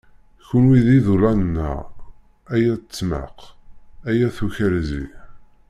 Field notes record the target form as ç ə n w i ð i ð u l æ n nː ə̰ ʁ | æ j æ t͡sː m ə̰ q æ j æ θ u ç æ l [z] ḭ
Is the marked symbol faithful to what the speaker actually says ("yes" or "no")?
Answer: yes